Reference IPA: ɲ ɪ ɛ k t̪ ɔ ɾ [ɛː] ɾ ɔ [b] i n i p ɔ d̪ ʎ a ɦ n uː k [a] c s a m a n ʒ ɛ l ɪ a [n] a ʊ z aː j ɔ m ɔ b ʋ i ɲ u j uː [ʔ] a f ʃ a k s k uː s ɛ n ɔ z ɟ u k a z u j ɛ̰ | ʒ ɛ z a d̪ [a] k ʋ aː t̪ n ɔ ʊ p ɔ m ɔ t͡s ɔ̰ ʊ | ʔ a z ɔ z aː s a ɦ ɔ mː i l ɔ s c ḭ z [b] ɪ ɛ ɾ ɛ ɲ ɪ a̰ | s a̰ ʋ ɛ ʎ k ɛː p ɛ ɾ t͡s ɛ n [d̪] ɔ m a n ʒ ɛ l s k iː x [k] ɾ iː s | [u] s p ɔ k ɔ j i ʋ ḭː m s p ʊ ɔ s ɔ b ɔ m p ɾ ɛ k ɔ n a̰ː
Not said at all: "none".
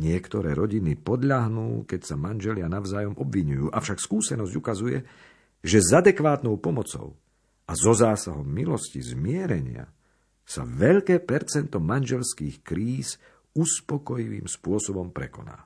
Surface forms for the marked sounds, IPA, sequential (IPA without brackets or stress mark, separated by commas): ɛː, ɟ, ɛ, n, ʔ, ɛ, m, t̪, k, u